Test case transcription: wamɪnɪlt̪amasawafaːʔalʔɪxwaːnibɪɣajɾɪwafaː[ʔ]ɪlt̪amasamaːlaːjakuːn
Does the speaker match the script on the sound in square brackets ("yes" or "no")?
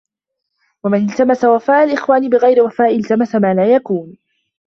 yes